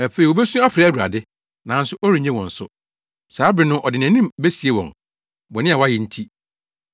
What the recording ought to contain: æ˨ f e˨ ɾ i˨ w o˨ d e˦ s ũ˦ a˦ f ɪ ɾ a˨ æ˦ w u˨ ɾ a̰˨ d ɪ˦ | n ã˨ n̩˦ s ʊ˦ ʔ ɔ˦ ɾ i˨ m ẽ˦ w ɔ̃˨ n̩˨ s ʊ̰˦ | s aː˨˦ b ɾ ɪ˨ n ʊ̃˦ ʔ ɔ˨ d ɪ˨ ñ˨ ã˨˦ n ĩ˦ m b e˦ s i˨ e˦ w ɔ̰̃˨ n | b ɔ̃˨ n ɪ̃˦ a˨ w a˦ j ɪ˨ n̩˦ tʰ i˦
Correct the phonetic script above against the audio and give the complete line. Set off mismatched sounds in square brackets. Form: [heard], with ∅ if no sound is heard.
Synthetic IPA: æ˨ f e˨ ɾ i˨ w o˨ [b] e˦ s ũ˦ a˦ f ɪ ɾ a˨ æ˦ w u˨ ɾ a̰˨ d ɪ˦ | n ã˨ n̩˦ s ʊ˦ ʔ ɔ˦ ɾ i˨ [ɲ] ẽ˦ w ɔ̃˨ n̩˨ s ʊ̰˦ | s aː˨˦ b ɾ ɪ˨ n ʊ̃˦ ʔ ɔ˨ d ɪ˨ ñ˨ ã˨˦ n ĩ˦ m b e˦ s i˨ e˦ w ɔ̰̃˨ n | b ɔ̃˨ n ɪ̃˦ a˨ w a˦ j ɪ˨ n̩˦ tʰ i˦